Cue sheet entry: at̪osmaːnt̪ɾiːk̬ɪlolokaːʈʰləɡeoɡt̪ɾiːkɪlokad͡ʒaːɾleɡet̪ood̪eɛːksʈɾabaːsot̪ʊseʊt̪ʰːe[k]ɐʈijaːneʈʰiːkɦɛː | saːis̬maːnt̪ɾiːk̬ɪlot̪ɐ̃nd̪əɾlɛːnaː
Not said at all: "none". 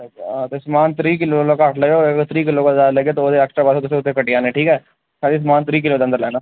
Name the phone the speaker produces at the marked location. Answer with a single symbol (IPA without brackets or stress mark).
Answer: k